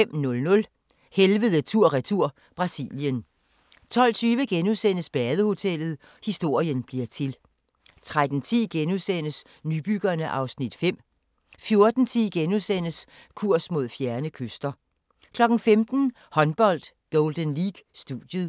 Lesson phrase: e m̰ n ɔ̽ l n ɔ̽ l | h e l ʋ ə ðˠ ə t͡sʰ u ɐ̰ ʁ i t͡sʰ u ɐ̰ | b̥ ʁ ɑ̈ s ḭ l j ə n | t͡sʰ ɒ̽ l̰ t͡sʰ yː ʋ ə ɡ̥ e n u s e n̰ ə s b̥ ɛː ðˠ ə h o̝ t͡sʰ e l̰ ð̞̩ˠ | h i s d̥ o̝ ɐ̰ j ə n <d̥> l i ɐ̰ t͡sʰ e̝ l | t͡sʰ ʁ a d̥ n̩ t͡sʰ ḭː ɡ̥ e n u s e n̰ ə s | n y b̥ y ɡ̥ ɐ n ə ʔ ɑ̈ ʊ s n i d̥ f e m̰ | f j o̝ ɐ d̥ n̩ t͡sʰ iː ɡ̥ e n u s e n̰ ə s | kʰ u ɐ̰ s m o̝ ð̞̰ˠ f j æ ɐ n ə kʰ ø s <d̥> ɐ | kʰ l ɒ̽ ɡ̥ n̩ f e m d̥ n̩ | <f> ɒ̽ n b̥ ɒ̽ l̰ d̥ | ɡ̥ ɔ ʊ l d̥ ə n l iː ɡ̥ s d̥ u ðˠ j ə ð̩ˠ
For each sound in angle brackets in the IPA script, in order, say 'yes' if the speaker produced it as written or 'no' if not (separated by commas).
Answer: no, yes, no